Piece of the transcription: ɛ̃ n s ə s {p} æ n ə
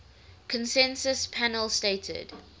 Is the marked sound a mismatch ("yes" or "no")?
yes